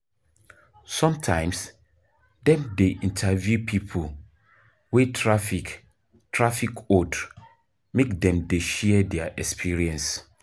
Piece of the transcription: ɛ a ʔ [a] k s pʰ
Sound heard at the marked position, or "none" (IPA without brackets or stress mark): ɛ